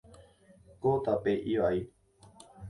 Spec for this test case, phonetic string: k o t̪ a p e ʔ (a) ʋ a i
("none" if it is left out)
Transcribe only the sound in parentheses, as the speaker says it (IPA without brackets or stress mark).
i